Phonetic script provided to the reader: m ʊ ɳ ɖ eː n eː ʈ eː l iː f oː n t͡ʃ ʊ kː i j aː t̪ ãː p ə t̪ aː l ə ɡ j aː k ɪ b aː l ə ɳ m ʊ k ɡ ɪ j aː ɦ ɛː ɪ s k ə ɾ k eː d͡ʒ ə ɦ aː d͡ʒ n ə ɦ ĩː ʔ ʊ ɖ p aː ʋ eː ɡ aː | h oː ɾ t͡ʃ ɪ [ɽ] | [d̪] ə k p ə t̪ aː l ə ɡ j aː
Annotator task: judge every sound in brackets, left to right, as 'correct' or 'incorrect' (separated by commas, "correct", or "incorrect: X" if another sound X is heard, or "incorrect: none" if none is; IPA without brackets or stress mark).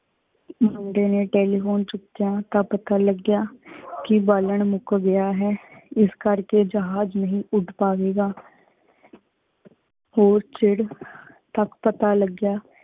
correct, incorrect: t̪